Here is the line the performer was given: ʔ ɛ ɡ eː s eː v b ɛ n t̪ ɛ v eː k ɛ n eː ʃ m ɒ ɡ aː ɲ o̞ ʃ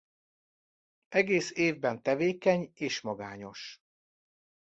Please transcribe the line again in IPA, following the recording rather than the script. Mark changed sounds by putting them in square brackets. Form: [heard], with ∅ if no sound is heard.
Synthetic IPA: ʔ ɛ ɡ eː s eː v b ɛ n t̪ ɛ v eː k ɛ [ɲ] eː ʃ m ɒ ɡ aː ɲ o̞ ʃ